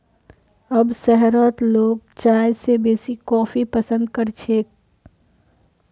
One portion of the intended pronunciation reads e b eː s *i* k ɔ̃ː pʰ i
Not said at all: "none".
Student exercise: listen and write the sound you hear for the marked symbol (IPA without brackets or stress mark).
i